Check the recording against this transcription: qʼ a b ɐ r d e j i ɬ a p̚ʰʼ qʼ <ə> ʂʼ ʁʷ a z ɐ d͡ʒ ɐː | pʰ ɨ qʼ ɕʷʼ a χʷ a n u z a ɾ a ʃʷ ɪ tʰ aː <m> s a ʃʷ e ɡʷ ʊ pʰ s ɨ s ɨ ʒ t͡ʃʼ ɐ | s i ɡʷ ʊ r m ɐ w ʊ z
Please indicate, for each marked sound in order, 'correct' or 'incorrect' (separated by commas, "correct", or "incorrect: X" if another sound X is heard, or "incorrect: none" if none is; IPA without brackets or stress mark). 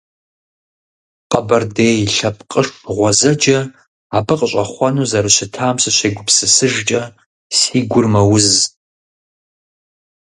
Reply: correct, correct